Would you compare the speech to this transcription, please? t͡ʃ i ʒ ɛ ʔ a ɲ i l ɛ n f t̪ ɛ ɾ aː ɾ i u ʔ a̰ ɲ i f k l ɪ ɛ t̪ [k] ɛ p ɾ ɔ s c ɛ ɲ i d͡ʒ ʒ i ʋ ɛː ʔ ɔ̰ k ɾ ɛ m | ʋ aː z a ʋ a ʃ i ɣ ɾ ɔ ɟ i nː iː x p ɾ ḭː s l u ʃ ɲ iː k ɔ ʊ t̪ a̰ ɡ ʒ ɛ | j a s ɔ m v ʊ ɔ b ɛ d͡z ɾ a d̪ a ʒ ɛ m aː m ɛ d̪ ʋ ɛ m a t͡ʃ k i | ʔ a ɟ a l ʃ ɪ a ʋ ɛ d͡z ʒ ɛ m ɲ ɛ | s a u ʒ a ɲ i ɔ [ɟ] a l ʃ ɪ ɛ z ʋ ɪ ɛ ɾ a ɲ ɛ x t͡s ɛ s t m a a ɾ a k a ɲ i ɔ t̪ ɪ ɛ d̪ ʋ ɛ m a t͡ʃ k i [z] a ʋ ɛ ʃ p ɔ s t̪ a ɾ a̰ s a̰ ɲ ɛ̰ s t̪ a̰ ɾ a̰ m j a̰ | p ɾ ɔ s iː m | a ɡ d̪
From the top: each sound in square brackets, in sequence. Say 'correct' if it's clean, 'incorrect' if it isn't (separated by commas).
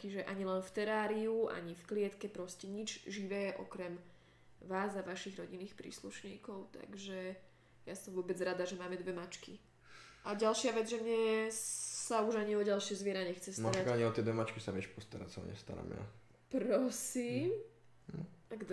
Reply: correct, correct, incorrect